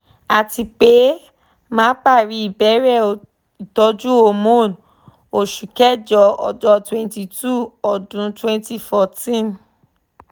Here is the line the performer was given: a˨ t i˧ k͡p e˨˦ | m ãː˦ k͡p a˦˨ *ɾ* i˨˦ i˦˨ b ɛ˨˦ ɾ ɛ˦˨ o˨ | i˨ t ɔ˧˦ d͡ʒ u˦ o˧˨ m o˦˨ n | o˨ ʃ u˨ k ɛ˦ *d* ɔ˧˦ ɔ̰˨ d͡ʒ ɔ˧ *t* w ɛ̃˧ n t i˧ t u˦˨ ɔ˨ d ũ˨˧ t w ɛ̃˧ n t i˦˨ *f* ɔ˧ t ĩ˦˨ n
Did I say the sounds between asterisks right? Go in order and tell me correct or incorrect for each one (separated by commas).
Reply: correct, incorrect, correct, correct